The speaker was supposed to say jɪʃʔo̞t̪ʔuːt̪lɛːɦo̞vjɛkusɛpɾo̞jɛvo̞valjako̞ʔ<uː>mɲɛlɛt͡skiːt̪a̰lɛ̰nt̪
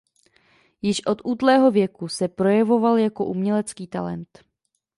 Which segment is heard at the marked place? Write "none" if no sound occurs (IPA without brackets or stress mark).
u